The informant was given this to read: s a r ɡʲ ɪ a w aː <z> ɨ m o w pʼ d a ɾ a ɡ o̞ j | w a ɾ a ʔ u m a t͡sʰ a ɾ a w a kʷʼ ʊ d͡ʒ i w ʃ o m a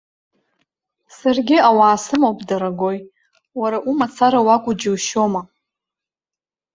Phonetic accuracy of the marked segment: incorrect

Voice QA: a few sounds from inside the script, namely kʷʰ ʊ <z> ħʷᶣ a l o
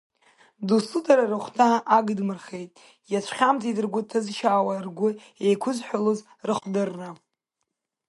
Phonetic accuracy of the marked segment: correct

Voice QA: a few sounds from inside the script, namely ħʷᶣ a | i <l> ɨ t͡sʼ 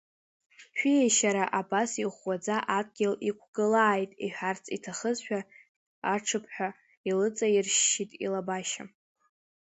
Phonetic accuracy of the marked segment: correct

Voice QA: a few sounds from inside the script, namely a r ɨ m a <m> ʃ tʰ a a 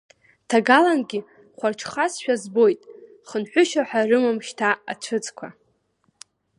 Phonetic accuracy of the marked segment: correct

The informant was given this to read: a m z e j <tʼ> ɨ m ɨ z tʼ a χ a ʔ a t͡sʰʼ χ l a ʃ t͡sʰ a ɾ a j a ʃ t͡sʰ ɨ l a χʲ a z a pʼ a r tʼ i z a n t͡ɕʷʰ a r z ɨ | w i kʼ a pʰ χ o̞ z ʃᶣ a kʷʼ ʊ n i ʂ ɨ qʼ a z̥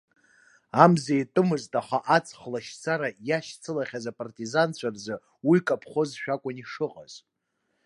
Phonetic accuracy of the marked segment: correct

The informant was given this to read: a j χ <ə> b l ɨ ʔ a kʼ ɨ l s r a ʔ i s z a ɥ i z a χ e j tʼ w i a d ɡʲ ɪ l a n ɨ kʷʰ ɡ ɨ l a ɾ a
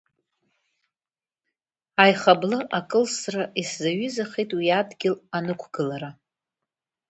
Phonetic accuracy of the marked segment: incorrect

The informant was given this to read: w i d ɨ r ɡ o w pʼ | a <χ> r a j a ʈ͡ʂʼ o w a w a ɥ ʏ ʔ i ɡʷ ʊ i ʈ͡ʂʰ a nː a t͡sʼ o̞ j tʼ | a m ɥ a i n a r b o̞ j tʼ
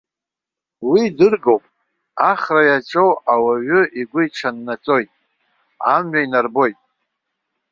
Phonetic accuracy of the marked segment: correct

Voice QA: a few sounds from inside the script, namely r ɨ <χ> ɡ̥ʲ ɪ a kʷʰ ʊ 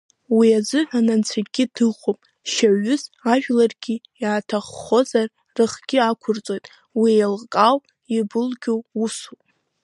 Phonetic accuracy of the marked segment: correct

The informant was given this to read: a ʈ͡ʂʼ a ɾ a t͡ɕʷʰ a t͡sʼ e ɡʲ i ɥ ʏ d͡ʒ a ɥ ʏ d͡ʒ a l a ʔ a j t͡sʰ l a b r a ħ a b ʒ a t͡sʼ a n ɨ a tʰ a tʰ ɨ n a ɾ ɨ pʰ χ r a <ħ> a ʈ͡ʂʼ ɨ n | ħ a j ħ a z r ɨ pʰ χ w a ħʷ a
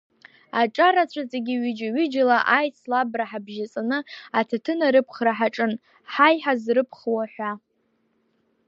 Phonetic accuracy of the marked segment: correct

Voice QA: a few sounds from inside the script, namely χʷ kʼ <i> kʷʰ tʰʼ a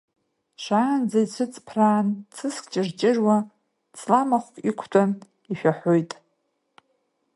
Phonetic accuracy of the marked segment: correct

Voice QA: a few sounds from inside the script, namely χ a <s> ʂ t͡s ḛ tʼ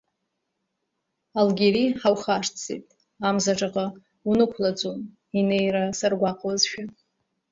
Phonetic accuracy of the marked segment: incorrect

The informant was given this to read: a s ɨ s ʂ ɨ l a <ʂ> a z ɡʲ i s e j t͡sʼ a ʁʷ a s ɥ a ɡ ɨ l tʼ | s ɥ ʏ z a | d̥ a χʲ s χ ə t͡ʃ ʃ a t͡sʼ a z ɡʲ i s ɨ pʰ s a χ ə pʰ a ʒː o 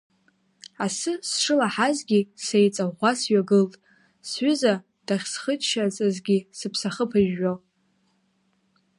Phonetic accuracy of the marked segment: incorrect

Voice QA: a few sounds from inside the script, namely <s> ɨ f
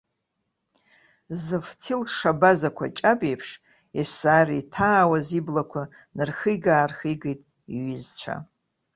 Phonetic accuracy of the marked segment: incorrect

